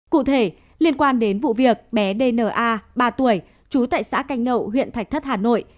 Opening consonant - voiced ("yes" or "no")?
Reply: no